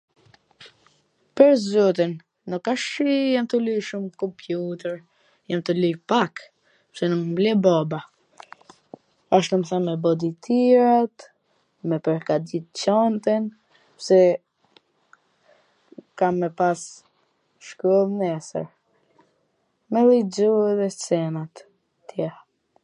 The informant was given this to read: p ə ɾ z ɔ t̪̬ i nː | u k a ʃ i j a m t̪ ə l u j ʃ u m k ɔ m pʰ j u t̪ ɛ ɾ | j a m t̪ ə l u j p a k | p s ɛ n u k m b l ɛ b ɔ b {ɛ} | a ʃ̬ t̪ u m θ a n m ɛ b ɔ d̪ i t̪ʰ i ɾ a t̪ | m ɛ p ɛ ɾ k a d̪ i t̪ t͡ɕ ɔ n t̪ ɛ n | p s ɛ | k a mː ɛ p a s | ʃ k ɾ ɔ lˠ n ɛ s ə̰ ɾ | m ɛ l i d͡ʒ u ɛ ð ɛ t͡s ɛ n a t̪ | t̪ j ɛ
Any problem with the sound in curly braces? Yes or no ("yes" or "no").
yes